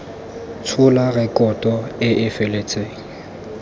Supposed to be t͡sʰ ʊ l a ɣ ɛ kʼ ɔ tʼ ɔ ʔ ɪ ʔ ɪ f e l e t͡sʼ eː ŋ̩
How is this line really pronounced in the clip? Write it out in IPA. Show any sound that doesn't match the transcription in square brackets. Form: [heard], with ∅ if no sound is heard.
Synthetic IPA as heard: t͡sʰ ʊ l a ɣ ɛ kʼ ɔ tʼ ɔ [∅] ɪ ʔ ɪ f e l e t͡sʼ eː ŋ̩